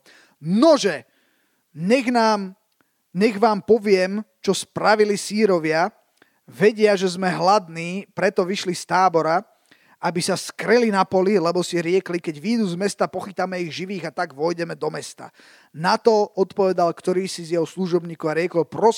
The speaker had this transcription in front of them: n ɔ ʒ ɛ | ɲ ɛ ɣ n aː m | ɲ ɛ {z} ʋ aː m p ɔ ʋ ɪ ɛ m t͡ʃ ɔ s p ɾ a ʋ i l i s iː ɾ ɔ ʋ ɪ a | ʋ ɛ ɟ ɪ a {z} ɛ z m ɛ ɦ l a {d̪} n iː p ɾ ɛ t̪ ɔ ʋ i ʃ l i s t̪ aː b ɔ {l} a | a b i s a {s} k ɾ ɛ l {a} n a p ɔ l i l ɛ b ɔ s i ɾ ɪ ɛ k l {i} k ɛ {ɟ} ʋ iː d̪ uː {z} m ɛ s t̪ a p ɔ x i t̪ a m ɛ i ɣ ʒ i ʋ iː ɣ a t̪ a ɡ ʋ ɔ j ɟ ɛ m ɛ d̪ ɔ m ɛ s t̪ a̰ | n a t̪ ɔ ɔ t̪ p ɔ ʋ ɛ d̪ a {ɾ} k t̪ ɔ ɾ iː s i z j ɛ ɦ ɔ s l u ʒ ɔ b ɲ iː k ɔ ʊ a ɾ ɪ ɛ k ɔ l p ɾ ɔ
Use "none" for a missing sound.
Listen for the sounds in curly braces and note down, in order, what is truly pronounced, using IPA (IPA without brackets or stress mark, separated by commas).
ɣ, ʒ, d̪, ɾ, s, i, i, ɟ, z, l